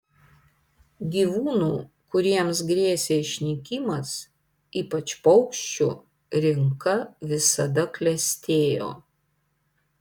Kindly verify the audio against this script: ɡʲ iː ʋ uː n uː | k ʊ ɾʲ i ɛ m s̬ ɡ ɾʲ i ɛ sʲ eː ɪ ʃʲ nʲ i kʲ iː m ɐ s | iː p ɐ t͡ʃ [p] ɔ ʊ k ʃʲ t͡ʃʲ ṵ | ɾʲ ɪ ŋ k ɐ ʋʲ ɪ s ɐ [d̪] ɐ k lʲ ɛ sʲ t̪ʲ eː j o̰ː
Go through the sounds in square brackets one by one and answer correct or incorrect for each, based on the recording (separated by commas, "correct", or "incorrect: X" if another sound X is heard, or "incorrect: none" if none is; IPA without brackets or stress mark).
correct, correct